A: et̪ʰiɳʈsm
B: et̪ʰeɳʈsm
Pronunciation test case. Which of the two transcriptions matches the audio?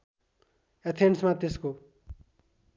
B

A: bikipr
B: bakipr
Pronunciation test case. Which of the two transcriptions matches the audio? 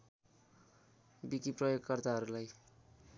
A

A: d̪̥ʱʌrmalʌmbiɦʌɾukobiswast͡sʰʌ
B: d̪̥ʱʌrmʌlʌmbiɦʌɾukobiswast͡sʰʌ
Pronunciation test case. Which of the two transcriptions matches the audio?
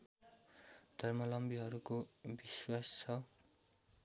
B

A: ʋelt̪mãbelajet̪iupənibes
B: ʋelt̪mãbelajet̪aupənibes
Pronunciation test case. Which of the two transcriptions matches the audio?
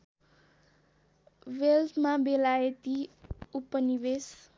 A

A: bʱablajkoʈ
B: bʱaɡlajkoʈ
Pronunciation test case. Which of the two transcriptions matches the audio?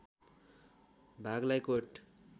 B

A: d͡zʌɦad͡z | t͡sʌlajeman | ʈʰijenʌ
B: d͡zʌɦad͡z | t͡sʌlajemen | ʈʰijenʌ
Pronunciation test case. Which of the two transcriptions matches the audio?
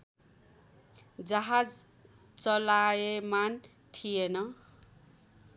A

